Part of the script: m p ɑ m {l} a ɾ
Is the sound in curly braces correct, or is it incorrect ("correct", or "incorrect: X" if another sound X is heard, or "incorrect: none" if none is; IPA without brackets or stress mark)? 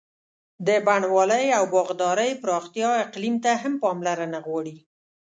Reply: correct